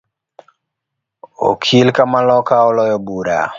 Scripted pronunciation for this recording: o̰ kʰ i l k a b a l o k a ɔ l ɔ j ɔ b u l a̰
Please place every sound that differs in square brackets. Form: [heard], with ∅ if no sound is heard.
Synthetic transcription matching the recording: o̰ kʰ i l k a [m] a l [ɔ] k a ɔ l ɔ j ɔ b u [ɾ] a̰